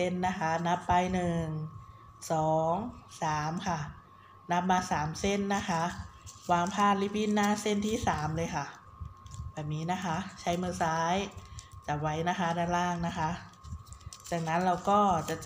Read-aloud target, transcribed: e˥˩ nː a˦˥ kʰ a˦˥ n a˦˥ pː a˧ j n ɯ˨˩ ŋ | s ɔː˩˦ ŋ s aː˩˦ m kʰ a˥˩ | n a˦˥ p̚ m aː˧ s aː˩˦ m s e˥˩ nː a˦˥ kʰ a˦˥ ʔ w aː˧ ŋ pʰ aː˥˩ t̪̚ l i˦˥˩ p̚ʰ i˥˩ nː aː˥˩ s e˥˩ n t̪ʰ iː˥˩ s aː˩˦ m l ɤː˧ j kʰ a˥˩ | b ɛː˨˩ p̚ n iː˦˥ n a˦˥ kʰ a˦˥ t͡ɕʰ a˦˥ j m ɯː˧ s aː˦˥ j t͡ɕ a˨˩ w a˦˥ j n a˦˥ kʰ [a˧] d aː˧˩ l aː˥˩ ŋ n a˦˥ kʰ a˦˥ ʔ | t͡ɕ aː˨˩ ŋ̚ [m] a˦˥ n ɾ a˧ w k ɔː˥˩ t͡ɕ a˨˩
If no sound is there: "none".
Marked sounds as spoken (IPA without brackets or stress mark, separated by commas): a˦˥, n